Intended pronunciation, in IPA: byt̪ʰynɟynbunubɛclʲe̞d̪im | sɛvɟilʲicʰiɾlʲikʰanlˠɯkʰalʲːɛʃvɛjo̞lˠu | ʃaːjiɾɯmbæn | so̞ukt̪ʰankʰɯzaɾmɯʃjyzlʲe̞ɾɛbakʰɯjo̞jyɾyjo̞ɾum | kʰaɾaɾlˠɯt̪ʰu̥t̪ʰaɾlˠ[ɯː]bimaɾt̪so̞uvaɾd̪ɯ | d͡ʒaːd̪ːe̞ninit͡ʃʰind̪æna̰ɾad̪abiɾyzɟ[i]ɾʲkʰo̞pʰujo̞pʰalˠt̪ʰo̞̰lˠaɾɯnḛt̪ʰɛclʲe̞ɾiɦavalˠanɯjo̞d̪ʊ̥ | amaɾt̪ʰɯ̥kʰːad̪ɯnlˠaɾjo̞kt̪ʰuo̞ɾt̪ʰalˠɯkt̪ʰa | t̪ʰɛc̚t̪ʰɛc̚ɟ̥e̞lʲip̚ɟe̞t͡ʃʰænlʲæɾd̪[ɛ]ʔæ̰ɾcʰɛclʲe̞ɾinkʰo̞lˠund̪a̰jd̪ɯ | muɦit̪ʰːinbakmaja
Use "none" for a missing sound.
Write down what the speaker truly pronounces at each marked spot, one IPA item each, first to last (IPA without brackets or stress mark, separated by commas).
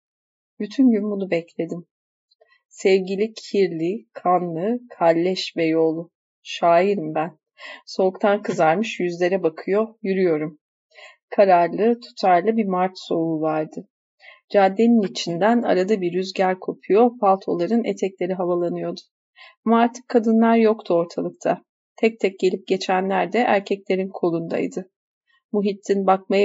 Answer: ɯ, æ, ɛ